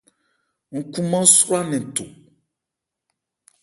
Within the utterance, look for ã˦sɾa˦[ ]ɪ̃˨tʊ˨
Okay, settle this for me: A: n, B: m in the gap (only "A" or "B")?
A